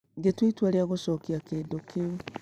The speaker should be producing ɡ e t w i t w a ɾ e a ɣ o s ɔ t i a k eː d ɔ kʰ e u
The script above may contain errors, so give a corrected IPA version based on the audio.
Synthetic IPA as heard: ɡ e t w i t w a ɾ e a ɣ o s ɔ k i a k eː d o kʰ e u